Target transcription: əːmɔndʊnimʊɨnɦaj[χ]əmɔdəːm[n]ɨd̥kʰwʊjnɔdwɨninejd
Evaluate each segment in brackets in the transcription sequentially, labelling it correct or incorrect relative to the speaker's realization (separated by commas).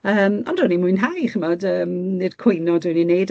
correct, correct